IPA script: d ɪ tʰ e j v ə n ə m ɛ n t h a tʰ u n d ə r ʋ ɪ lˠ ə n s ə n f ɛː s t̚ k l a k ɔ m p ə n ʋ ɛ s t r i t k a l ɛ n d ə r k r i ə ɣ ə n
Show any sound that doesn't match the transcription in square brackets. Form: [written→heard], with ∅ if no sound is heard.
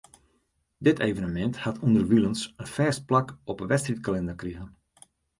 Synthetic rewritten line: d ɪ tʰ e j v ə n ə m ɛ n t h a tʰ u n d ə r ʋ [ɪ→i] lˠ ə n s ə n f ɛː s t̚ [k→p] l a k ɔ [m→∅] p ə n ʋ ɛ s t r i t k a l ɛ n d ə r k r i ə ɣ ə n